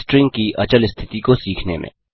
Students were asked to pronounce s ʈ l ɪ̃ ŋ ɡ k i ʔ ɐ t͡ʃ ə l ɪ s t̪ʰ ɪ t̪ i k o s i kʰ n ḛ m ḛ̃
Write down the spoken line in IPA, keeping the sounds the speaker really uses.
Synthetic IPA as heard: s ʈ ɾ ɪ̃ ŋ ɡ k i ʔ ɐ t͡ʃ ə l ɪ s t̪ʰ ɪ t̪ i k o s iː kʰ n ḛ m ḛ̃